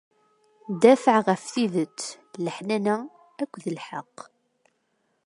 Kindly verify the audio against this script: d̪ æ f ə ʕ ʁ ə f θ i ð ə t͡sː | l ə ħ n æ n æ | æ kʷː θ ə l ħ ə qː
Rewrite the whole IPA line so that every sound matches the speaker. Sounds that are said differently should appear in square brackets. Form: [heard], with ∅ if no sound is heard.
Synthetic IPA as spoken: d̪ æ f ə ʕ ʁ ə f θ i ð ə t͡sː | l ə ħ n æ n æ | æ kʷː [ð] ə l ħ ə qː